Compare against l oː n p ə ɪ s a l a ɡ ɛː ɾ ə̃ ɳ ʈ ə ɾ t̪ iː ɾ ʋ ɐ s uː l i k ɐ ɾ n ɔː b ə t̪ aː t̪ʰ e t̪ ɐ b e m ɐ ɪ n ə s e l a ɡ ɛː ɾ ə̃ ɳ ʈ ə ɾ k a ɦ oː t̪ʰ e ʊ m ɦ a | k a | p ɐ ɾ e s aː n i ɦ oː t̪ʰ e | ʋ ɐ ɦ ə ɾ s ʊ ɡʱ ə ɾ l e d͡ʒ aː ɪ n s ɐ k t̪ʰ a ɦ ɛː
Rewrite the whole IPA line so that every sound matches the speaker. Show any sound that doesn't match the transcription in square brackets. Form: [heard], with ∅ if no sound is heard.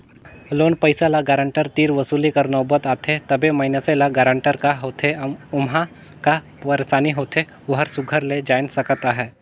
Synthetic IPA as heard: l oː n p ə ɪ s a l a ɡ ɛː ɾ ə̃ ɳ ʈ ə ɾ t̪ iː ɾ ʋ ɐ s uː l i k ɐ ɾ n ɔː b ə t̪ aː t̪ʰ e t̪ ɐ b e m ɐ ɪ n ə s e l a ɡ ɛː ɾ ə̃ ɳ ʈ ə ɾ k a ɦ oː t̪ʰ e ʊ m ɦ a | k a | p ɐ ɾ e s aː n i ɦ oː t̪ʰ e | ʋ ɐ ɦ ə ɾ s ʊ ɡʱ ə ɾ l e d͡ʒ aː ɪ n s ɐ k [t̪] a ɦ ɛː